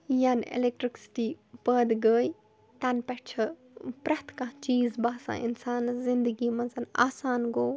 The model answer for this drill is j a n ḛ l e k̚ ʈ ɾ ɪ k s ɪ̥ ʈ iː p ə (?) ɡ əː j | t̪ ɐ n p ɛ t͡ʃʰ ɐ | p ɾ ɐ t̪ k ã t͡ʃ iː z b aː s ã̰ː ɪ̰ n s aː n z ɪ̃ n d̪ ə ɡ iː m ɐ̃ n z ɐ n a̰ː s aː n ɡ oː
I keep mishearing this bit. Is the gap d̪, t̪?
d̪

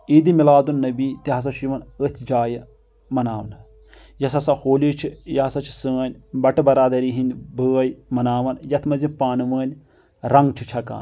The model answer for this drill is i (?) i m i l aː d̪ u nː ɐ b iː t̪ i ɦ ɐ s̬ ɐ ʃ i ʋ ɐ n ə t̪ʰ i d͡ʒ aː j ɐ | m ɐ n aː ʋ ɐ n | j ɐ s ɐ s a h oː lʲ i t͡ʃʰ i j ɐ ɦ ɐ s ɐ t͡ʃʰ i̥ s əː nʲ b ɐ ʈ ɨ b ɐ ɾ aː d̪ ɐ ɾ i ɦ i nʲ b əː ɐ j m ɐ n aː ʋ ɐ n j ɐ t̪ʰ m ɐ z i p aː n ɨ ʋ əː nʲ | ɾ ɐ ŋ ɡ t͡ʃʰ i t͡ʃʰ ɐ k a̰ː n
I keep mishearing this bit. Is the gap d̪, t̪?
d̪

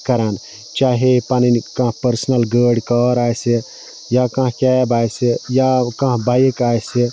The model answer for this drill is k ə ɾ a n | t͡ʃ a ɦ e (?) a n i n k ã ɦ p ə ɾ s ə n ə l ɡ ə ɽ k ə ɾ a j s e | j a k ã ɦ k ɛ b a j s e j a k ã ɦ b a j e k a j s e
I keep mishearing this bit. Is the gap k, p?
p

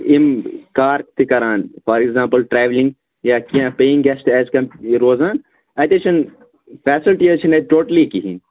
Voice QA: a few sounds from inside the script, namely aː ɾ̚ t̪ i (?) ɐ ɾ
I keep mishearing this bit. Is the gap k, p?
k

